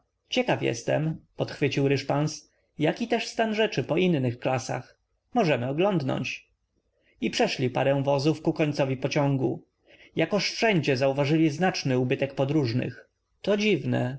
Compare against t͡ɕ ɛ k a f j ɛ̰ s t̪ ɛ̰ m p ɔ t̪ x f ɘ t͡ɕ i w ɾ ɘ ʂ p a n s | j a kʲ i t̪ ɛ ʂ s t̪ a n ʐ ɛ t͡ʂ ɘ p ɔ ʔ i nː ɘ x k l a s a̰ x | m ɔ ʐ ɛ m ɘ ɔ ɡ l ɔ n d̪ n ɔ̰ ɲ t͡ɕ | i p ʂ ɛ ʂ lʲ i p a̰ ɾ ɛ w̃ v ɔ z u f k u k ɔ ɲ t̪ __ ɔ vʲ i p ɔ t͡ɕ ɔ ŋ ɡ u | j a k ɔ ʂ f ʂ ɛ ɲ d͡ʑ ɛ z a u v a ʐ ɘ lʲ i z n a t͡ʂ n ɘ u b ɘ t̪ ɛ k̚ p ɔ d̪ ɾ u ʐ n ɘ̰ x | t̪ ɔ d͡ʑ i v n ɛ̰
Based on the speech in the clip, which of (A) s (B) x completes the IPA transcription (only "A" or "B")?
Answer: A